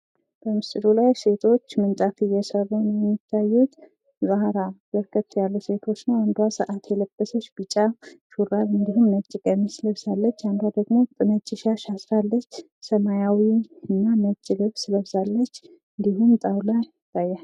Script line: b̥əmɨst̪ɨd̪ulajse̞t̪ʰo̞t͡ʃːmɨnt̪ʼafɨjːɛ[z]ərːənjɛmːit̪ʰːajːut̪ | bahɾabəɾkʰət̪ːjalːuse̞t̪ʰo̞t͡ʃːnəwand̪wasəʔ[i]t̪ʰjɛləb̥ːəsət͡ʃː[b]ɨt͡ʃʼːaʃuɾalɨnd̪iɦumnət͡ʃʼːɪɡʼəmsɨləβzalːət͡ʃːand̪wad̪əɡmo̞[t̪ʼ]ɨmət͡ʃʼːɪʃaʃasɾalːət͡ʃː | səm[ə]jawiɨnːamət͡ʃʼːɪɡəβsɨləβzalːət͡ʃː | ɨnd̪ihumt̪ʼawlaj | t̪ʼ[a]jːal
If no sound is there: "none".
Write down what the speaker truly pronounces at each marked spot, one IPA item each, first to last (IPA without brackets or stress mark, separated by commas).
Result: s, a, b, t̪ʼ, a, a